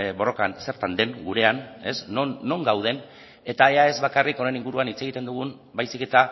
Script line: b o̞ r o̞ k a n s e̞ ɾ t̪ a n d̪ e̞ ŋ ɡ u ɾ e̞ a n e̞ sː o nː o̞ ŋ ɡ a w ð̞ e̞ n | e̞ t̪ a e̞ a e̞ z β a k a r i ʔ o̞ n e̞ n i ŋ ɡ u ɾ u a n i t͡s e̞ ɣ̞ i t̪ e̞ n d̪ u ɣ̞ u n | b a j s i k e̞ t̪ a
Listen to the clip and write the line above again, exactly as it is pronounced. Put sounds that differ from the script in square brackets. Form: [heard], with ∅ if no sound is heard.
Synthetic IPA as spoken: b o̞ r o̞ k a n s e̞ ɾ t̪ a n d̪ e̞ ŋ ɡ u ɾ e̞ a n e̞ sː o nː o̞ ŋ ɡ a w ð̞ e̞ n | e̞ t̪ a e̞ a e̞ z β a k a r i [k] o̞ n e̞ n i ŋ ɡ u ɾ u a n i t͡s e̞ ɣ̞ i t̪ e̞ n d̪ u ɣ̞ u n | b a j s i k e̞ t̪ a